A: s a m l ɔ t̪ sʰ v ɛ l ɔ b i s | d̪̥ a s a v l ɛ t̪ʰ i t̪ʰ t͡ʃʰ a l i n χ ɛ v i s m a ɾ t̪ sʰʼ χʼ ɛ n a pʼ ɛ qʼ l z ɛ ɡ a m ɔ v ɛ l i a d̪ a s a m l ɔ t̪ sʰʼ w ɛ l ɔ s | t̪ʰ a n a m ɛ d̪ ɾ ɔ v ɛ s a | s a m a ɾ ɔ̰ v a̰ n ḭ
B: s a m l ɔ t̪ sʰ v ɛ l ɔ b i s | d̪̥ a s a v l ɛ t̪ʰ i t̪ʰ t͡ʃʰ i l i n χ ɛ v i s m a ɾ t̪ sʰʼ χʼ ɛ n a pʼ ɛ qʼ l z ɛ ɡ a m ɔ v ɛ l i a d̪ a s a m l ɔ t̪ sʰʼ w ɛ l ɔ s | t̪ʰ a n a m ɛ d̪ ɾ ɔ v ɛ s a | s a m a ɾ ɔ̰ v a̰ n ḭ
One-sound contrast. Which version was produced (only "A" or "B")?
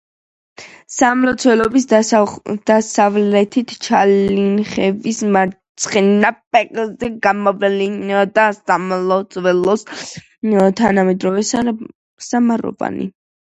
A